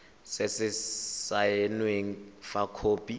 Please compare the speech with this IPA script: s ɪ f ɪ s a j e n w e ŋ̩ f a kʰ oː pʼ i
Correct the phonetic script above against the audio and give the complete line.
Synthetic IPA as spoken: s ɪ s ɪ s a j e n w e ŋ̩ f a kʰ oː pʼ i